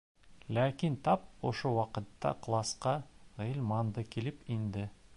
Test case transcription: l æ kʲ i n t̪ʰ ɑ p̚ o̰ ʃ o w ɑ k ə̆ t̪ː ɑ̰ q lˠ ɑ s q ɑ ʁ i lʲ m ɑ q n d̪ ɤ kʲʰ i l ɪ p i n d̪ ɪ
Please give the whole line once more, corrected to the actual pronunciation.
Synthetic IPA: l æ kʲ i n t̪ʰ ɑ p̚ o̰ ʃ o w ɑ q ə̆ t̪ː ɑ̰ q lˠ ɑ s q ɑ ʁ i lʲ m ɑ n d̪ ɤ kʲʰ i l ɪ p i n d̪ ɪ